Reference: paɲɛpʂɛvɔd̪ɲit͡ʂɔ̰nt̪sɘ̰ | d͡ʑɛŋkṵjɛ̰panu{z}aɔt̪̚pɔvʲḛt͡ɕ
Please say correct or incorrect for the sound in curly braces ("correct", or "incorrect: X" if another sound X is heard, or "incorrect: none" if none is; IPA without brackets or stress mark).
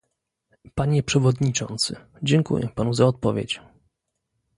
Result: correct